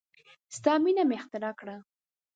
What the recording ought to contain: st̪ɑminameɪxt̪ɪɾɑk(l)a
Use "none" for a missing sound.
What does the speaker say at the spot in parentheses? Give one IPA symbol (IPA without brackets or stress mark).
ɽ